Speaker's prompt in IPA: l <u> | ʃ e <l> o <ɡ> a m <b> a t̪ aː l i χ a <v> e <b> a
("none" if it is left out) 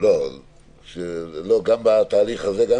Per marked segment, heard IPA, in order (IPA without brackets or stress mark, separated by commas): o, l, ɡ, b, z, ɡ